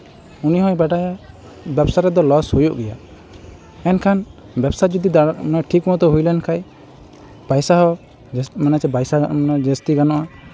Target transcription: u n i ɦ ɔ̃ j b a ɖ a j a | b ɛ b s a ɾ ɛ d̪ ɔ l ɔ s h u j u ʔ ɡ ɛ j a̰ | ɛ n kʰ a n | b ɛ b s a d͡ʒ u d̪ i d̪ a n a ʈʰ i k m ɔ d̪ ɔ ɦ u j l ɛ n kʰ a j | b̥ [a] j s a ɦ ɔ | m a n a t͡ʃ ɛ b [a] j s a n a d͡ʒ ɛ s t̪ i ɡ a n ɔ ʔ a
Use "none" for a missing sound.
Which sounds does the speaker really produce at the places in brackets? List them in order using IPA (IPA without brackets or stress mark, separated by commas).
a, a